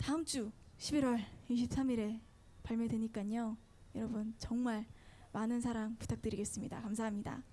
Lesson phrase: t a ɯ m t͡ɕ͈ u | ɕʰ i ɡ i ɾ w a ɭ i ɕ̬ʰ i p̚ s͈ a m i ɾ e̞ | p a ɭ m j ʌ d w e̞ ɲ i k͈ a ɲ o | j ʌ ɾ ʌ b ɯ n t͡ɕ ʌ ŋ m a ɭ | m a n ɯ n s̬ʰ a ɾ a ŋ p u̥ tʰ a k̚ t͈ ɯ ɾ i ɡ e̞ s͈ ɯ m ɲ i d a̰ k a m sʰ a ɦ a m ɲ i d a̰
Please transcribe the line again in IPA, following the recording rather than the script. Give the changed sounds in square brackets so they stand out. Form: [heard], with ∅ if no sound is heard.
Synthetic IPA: t a ɯ m t͡ɕ͈ u | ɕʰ i [b] i ɾ w [ʌ] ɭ i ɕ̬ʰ i p̚ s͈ a m i ɾ e̞ | p a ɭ m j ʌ d w e̞ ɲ i k͈ a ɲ o | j ʌ ɾ ʌ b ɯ n t͡ɕ ʌ ŋ m a ɭ | m a n ɯ n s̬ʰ a ɾ a ŋ p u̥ tʰ a k̚ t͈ ɯ ɾ i ɡ e̞ s͈ ɯ m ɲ i d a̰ k a m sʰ a ɦ a m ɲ i d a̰